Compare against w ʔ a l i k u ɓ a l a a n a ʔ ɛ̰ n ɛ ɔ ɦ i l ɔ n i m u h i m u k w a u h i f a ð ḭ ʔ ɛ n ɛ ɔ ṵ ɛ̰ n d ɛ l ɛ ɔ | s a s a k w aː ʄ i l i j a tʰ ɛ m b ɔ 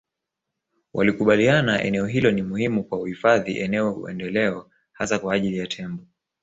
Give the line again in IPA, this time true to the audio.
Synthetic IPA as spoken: w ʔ a l i k u ɓ a l i a n a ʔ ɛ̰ n ɛ ɔ ɦ i l ɔ n i m u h i m u k w a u h i f a ð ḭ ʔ ɛ n ɛ ɔ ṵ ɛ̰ n d ɛ l ɛ ɔ | h a s a k w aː ʄ i l i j a tʰ ɛ m b ɔ